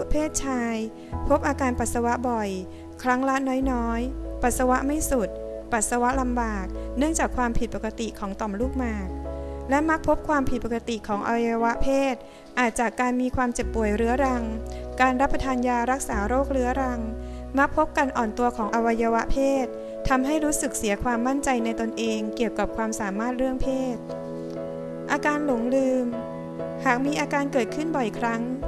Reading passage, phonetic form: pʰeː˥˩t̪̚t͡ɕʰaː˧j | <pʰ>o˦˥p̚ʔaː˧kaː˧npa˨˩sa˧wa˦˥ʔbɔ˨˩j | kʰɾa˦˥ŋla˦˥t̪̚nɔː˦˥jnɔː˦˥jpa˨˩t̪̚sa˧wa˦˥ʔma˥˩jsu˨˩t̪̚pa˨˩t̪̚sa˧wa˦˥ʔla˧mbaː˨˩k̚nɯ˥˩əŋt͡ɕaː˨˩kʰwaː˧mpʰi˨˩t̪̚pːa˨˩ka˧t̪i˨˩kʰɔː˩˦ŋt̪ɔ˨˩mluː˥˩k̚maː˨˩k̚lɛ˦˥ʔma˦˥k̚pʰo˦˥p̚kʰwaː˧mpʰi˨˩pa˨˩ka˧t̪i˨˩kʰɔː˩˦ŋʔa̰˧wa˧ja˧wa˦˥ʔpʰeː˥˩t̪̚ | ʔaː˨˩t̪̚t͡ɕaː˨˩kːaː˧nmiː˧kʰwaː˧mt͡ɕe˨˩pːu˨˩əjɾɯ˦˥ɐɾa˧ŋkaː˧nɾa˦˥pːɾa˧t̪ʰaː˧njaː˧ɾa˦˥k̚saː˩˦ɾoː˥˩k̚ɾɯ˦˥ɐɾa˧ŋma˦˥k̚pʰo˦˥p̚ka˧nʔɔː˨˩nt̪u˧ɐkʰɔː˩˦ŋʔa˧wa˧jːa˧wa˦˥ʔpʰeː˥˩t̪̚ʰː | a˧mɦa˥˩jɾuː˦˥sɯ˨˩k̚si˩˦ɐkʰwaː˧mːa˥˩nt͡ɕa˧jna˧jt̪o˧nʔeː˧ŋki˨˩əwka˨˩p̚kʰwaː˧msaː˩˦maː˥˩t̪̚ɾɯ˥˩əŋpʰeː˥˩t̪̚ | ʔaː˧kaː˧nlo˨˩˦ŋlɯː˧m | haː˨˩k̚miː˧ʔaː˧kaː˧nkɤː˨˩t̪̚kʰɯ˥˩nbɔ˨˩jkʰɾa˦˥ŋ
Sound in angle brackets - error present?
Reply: no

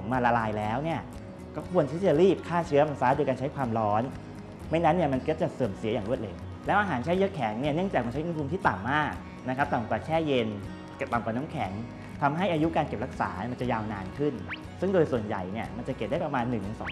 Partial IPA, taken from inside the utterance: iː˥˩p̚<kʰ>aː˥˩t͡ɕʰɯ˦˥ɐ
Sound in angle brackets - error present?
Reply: no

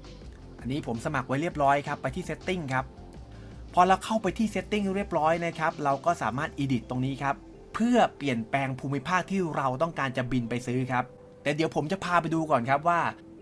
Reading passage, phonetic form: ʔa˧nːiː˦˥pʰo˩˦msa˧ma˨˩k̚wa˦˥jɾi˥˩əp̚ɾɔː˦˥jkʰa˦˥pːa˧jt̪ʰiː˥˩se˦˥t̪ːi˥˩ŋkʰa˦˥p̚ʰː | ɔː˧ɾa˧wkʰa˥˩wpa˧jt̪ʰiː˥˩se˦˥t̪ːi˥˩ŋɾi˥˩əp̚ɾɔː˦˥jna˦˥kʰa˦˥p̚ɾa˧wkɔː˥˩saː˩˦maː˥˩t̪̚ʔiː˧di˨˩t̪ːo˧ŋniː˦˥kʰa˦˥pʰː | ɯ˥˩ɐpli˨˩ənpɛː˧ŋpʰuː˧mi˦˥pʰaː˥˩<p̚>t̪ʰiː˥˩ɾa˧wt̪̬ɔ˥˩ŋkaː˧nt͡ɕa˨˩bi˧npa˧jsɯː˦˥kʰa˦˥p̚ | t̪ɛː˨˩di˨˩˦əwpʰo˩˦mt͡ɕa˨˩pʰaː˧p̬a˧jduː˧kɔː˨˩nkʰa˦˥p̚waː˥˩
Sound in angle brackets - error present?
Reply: yes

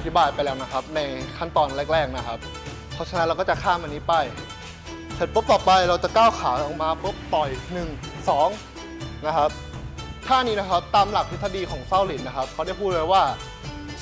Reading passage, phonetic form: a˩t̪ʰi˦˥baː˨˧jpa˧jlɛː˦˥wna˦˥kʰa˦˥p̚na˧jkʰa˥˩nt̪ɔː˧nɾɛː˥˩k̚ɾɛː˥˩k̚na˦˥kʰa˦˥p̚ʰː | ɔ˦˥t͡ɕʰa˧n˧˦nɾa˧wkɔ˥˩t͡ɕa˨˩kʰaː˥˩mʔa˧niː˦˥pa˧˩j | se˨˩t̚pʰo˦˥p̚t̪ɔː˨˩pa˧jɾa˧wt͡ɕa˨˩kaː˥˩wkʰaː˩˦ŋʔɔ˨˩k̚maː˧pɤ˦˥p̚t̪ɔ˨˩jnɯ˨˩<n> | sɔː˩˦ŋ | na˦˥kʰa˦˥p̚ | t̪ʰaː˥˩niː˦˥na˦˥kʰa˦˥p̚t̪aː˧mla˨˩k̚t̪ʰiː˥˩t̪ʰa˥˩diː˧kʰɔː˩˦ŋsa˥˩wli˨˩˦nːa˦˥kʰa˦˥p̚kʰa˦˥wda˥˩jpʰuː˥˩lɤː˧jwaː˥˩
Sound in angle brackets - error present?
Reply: yes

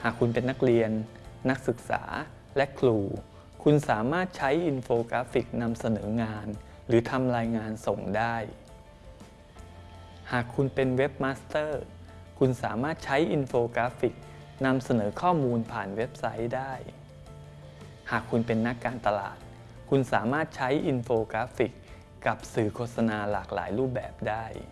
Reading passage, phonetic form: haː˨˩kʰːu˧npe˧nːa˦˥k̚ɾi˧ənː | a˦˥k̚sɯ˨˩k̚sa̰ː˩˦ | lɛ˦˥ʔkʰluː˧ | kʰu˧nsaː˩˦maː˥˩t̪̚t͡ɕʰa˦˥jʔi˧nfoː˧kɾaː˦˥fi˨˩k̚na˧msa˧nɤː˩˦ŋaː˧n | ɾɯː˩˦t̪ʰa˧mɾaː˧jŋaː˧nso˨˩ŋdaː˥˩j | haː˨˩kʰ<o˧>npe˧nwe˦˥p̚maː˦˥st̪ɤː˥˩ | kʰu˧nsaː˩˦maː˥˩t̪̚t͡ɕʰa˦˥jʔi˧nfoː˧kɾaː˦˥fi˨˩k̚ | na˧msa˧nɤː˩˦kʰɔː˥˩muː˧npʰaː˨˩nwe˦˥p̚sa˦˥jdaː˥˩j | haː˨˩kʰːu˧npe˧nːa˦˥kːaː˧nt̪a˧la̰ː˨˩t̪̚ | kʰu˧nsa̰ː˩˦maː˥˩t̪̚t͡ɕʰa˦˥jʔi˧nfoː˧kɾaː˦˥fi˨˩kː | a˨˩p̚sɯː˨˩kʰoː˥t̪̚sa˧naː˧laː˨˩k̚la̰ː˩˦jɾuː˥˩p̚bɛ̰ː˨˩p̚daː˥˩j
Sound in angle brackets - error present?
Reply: yes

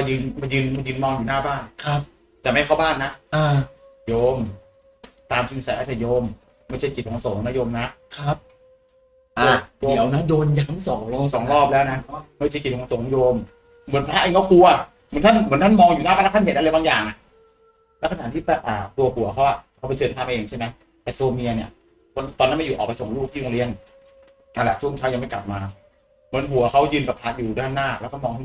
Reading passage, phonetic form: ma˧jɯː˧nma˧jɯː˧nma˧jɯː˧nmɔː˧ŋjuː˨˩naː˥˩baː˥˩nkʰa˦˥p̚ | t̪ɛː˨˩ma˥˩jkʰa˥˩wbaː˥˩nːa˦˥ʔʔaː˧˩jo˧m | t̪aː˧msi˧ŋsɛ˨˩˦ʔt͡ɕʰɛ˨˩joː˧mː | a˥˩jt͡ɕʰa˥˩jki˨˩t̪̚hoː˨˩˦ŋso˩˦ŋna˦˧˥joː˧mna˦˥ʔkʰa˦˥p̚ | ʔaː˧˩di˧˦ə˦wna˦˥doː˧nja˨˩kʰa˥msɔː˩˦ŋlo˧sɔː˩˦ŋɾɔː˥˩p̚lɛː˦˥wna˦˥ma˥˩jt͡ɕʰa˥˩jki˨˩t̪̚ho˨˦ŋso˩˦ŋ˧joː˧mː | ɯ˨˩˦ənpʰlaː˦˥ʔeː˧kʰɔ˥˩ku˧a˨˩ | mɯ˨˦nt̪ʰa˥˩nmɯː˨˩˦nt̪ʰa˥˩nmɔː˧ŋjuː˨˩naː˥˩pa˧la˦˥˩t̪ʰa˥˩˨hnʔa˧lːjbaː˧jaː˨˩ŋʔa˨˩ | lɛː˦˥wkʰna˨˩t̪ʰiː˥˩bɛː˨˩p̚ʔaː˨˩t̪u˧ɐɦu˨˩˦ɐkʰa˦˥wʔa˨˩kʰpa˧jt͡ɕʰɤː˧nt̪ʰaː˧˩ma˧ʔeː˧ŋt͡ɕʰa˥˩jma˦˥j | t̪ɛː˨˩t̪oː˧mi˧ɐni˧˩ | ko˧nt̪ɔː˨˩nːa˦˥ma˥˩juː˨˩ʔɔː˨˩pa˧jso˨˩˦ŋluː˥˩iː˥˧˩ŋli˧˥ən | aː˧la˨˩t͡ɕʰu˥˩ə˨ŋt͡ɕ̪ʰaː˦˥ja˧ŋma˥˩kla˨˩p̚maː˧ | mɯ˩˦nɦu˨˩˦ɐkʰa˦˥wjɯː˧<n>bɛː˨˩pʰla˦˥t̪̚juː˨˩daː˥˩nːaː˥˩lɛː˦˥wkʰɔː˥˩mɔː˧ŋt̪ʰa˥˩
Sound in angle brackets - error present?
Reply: no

